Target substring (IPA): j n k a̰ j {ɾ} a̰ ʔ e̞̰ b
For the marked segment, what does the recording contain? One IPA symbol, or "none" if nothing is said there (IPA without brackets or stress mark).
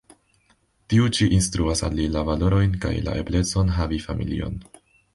l